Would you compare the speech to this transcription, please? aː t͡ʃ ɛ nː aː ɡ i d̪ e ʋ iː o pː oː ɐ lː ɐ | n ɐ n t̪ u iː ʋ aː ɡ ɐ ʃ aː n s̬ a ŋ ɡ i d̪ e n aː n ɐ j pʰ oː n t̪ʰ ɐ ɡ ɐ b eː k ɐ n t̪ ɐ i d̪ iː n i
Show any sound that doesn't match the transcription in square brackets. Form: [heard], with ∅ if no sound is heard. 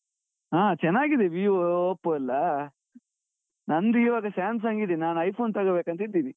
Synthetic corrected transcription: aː t͡ʃ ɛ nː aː ɡ i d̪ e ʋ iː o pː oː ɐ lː ɐ | n ɐ n [d̪] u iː ʋ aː ɡ ɐ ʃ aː n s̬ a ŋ ɡ i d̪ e n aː n ɐ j pʰ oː n [t̪] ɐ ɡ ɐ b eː k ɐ n t̪ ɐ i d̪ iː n i